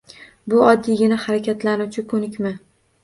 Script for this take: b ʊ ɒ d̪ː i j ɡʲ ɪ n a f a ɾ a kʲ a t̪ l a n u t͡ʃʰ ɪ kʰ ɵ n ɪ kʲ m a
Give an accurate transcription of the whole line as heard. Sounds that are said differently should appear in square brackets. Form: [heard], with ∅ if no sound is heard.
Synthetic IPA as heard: b ʊ ɒ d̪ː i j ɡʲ ɪ n a [h] a ɾ a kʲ a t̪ l a n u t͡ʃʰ ɪ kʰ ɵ n ɪ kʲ m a